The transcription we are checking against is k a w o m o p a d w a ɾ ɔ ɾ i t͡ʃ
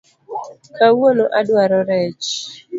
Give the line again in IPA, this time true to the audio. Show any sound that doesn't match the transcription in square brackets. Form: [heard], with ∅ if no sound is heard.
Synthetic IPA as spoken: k a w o [n] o [ʔ] a d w a ɾ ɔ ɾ [ɛ] t͡ʃ